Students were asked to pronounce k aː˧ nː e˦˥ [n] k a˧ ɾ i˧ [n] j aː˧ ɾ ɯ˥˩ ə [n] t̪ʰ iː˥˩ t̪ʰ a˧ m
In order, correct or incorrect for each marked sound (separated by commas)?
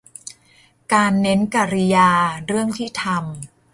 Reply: correct, incorrect, incorrect